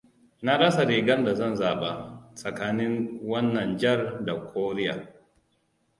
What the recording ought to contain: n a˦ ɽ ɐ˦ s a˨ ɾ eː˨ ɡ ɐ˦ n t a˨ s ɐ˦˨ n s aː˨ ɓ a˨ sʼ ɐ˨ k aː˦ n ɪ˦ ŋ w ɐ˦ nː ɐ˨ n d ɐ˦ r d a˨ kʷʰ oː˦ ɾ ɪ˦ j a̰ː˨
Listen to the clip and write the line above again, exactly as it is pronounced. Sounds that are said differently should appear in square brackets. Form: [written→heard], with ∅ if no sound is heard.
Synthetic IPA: n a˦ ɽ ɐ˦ s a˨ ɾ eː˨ ɡ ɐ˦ n [t→d] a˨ [s→z] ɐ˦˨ n [s→z] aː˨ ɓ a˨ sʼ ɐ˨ k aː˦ n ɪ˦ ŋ w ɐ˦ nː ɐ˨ n [d→d͡ʒ] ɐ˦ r d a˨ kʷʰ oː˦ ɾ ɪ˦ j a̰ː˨

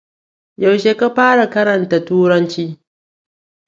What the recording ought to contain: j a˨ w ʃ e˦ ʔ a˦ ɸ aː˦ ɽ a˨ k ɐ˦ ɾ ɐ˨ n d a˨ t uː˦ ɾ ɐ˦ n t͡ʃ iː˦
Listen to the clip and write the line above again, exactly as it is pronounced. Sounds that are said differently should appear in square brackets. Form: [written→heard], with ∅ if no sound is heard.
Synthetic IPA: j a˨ w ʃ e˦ [ʔ→k] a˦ ɸ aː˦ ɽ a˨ k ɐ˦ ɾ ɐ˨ n [d→t] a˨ t uː˦ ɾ ɐ˦ n t͡ʃ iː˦

